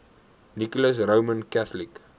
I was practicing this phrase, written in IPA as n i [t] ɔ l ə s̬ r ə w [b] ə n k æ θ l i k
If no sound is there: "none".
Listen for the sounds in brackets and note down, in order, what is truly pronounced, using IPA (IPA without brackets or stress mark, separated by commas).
k, m